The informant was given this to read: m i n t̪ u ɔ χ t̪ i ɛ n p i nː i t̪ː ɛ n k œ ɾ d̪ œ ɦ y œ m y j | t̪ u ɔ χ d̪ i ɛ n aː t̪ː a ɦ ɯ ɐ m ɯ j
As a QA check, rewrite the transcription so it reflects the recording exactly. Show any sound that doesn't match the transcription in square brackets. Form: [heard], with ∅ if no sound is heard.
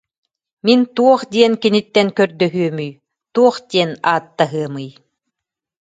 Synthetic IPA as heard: m i n t̪ u ɔ χ [d̪] i ɛ n [k] i [n] i t̪ː ɛ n k œ ɾ d̪ œ ɦ y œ m y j | t̪ u ɔ χ d̪ i ɛ n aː t̪ː a ɦ ɯ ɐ m ɯ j